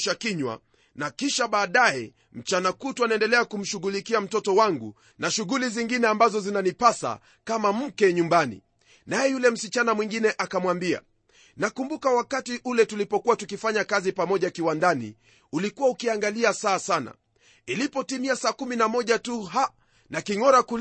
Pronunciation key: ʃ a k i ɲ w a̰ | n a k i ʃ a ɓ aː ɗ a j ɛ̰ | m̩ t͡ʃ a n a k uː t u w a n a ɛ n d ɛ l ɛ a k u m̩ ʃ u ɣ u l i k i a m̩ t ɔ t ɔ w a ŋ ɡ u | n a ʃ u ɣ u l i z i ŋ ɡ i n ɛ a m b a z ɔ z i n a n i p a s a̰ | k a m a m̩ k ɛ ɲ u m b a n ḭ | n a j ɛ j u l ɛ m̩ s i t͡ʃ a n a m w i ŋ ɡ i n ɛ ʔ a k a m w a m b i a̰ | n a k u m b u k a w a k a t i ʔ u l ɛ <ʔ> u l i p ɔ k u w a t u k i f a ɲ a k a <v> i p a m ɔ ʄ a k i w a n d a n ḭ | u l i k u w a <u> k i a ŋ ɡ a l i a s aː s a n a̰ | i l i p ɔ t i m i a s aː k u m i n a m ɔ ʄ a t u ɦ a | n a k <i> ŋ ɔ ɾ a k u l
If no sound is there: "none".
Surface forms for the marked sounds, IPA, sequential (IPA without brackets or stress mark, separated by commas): t, z, u, i